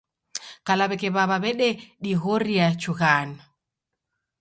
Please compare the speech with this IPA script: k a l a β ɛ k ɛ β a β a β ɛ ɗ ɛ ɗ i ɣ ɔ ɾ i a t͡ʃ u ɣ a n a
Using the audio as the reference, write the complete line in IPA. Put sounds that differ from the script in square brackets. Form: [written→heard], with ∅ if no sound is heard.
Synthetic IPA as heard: k a l a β ɛ k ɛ β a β a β ɛ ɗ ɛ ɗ i ɣ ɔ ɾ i a t͡ʃ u ɣ a n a